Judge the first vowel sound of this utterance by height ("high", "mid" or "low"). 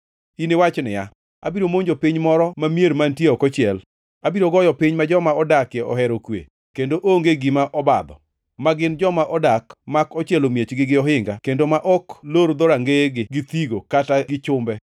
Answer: high